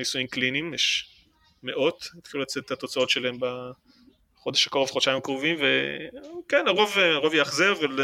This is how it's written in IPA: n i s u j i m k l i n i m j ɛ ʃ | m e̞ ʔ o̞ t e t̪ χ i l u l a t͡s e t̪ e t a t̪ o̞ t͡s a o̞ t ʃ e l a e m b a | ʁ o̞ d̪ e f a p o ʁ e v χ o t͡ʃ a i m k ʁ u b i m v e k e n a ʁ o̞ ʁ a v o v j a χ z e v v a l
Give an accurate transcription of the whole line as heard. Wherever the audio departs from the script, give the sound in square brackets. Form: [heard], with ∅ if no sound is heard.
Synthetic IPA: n i s u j i m k l i n i m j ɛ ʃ | m e̞ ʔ o̞ t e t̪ χ i l u l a t͡s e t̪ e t a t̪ o̞ t͡s a o̞ t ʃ e l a e m b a | [χ] o̞ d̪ e [ʃ] a [k] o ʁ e v χ o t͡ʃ a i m k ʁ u [v] i m v e k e n a ʁ o̞ [v] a [ʁ] o v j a χ z e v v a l